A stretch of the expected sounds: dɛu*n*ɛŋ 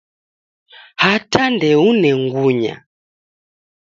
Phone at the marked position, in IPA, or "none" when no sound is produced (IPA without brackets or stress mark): n